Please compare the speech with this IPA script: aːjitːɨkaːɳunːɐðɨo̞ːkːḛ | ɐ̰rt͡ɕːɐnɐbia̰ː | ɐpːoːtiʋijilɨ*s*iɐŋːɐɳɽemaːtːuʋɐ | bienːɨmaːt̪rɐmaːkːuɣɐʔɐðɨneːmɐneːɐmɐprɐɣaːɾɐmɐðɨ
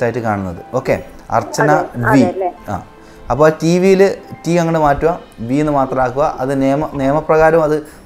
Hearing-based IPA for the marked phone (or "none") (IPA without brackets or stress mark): t